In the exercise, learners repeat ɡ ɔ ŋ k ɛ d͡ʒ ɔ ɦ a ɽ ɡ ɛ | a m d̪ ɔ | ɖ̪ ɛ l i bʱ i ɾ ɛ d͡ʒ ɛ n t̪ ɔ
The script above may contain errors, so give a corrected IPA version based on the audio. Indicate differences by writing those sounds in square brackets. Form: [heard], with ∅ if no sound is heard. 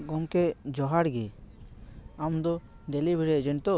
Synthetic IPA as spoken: ɡ ɔ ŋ k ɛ d͡ʒ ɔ ɦ a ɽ ɡ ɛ | a m d̪ ɔ | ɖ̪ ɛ l i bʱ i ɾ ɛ d͡ʒ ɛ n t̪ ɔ